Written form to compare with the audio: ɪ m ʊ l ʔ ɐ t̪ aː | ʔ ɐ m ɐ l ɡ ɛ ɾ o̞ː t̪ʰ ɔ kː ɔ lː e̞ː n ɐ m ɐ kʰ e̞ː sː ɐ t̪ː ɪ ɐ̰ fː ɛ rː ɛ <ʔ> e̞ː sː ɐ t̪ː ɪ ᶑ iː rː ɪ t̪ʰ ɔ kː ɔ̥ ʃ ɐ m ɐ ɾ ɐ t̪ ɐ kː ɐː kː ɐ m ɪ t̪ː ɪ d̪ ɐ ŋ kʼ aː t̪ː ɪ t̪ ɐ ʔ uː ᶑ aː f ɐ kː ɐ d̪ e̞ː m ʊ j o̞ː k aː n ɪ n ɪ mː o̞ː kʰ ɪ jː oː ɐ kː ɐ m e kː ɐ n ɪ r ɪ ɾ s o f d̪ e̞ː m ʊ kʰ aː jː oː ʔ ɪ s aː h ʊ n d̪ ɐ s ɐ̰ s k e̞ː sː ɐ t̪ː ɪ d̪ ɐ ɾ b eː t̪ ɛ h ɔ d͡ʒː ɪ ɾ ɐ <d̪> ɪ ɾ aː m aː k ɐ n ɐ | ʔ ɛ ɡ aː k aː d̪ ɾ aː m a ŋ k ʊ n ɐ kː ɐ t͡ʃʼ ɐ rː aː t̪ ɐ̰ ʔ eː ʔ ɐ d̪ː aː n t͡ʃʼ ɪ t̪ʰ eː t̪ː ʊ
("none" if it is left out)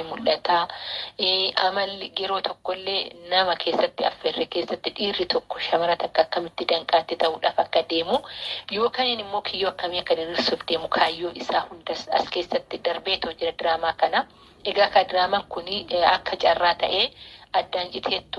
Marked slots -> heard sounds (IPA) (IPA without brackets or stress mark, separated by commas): k, d̪